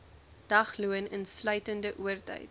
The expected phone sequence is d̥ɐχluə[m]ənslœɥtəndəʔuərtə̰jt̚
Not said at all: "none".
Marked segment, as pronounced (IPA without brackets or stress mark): n